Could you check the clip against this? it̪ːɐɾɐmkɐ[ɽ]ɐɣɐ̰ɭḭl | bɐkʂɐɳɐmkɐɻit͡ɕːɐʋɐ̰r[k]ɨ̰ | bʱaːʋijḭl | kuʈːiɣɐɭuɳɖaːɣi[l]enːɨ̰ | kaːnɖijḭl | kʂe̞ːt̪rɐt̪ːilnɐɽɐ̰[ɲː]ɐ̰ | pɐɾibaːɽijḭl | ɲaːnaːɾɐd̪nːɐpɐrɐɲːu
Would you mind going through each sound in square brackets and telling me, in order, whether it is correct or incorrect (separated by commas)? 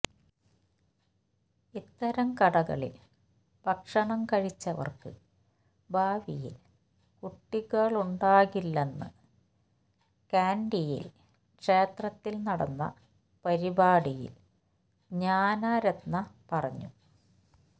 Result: correct, correct, incorrect, incorrect